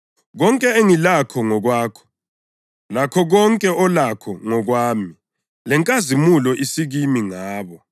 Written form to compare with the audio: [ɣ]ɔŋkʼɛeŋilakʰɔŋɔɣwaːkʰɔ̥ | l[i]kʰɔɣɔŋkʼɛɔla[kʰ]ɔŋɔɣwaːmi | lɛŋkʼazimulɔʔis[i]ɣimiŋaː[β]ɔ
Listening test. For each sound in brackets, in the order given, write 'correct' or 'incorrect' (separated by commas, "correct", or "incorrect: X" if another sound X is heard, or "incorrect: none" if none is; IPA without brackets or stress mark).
correct, incorrect: a, correct, correct, correct